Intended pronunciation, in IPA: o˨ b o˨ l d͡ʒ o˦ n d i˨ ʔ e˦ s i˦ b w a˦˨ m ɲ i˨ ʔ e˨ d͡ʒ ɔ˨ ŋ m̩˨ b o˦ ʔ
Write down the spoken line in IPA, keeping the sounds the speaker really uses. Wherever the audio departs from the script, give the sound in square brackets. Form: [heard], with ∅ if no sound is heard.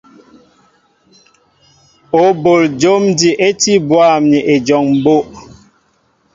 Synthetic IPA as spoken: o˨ b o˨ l d͡ʒ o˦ [m] d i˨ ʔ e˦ [t] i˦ b w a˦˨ m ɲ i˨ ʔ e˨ d͡ʒ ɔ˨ ŋ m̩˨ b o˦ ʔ